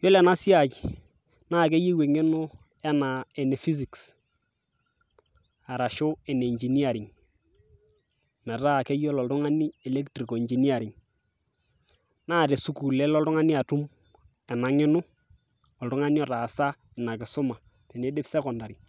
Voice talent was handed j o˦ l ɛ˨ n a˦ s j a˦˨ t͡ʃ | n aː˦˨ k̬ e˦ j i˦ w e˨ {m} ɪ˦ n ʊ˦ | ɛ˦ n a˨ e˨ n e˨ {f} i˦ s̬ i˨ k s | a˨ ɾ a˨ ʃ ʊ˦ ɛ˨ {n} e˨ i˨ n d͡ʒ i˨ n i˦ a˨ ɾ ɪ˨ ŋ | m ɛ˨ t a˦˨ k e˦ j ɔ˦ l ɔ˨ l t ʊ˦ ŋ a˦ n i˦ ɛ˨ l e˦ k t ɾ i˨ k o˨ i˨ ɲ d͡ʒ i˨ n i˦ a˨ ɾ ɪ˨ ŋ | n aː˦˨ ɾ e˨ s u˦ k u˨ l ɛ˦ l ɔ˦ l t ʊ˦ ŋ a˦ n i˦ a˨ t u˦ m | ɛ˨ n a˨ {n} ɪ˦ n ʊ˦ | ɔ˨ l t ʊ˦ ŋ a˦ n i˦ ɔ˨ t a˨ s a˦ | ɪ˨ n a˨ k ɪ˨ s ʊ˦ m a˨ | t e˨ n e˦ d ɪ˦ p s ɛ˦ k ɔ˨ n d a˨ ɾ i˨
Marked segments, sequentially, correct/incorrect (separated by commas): incorrect, correct, correct, incorrect